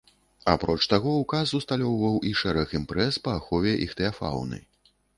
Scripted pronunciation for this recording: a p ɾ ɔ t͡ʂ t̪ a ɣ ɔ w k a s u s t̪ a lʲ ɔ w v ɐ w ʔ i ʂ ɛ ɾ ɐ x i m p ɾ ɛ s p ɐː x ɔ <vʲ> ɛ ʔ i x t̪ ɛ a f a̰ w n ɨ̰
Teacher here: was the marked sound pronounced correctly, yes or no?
yes